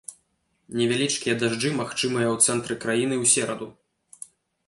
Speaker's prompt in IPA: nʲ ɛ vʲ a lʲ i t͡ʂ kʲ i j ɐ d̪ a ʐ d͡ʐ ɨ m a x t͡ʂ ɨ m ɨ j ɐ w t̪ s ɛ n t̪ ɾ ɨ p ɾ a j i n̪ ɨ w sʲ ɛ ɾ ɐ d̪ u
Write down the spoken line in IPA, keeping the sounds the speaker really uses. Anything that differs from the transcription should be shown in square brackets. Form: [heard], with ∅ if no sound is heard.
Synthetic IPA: nʲ ɛ vʲ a lʲ i t͡ʂ kʲ i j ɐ d̪ a ʐ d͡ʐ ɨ m a x t͡ʂ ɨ m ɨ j ɐ w t̪ s ɛ n t̪ ɾ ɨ [k] ɾ a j i n̪ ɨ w sʲ ɛ ɾ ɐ d̪ u